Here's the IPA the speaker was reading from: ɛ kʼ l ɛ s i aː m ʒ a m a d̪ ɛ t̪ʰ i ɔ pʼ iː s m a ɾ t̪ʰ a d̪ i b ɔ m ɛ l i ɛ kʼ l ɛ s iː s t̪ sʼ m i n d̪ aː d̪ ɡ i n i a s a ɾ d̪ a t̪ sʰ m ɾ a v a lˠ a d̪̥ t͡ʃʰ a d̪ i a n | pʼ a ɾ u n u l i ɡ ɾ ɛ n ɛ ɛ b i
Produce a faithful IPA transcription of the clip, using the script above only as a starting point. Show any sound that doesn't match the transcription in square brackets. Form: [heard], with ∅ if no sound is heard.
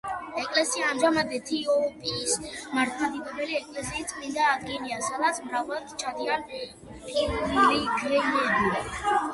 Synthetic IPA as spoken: ɛ kʼ l ɛ s i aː m ʒ a m a d̪ ɛ t̪ʰ i ɔ pʼ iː s m a ɾ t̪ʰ a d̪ i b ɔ [b] ɛ l i ɛ kʼ l ɛ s iː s t̪ sʼ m i n d̪ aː d̪ ɡ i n i a s a [∅] d̪ a t̪ sʰ m ɾ a v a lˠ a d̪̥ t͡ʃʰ a d̪ i a n | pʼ [i] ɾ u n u l i ɡ ɾ ɛ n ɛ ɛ b i